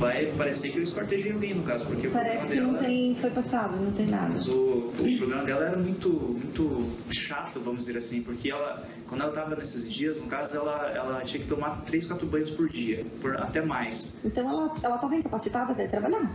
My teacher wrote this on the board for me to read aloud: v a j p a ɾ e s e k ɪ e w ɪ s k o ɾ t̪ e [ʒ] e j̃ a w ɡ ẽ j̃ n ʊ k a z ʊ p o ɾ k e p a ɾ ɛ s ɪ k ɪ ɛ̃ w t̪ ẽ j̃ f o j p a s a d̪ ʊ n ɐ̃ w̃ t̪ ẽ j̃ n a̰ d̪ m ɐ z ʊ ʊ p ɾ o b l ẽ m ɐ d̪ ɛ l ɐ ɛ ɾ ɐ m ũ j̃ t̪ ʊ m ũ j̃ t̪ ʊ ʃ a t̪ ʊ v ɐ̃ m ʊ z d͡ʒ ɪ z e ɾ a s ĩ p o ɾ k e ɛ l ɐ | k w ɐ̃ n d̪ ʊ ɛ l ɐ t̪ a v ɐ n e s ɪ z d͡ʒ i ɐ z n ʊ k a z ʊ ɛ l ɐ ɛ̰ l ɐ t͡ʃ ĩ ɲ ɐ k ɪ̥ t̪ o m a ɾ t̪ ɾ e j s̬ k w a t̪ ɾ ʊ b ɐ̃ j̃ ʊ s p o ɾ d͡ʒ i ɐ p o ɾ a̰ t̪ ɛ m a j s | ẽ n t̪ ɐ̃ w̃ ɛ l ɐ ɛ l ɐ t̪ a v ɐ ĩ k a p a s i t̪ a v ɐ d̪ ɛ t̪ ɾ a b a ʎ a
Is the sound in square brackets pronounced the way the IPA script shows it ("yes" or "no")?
yes